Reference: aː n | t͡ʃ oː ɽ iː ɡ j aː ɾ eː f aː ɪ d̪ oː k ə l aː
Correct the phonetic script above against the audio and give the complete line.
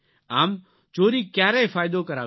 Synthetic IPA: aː m | t͡ʃ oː ɾ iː k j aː ɾ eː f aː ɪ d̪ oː k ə ɾ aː